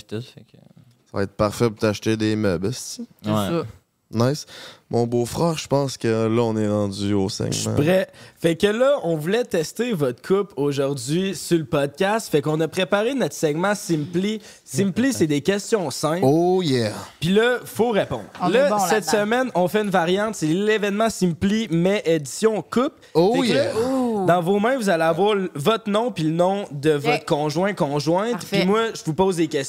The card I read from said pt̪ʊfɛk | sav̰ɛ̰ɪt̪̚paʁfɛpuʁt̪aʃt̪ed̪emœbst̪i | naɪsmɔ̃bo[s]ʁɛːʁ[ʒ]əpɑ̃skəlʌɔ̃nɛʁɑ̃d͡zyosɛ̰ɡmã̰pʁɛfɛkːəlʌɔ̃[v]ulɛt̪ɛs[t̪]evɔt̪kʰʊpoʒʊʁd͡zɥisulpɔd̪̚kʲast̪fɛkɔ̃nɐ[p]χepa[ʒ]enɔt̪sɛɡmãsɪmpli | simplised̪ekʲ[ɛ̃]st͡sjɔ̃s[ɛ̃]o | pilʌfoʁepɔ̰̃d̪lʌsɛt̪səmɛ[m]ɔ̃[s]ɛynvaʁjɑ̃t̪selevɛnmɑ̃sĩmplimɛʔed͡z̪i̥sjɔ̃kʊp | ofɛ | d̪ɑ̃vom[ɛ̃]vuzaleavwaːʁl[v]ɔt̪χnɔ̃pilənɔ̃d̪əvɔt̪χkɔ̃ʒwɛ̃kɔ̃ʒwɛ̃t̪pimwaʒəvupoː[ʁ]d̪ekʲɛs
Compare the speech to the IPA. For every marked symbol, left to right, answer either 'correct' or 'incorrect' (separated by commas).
incorrect, correct, correct, correct, correct, incorrect, incorrect, correct, incorrect, incorrect, correct, correct, incorrect